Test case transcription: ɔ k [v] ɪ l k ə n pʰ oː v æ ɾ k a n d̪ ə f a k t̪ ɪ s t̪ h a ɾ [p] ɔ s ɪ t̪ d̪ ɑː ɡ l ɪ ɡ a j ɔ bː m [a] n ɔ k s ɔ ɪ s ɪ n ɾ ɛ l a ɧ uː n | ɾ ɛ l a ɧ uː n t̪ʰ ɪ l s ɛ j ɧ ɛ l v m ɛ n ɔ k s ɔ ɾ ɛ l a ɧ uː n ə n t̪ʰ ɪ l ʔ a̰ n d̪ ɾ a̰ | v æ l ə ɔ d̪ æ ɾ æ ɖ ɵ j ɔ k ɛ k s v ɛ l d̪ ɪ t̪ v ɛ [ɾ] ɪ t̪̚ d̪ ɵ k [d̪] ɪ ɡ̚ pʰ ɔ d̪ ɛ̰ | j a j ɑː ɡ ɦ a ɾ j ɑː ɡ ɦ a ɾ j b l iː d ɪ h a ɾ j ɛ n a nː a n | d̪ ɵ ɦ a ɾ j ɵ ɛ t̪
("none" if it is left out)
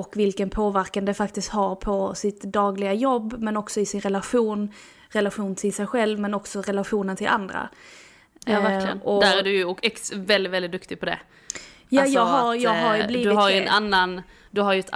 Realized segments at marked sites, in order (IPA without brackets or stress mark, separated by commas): v, pʰ, ɛ, l, t̪